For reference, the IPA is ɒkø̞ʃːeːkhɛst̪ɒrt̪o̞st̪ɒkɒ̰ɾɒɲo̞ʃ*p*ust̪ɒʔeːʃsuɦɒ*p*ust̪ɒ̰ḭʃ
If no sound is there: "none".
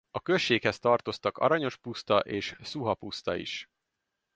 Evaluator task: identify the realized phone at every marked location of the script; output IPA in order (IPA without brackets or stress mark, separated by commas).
p, p